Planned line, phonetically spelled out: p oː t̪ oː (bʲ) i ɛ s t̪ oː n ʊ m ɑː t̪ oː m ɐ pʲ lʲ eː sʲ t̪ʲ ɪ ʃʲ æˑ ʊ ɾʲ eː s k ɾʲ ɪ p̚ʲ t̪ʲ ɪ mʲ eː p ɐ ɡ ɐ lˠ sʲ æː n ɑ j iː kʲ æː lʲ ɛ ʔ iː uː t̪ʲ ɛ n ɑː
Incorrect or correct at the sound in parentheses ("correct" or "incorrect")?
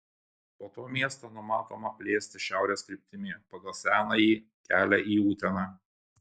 incorrect